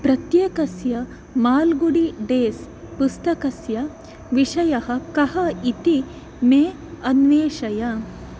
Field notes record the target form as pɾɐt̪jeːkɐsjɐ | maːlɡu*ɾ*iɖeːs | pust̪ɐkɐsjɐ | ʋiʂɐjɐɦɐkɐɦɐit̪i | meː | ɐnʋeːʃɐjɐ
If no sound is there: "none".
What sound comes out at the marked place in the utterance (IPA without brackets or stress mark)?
ɽ